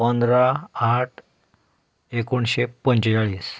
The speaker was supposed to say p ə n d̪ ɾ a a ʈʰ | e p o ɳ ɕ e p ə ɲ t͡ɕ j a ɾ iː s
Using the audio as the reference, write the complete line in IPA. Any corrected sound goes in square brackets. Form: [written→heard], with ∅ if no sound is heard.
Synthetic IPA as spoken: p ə n d̪ ɾ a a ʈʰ | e [p→k] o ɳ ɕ e p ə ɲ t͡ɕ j a [ɾ→ɭ] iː s